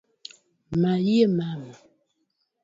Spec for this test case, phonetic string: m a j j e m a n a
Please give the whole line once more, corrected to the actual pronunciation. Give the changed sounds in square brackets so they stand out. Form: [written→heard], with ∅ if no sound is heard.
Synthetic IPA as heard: m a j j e m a [n→m] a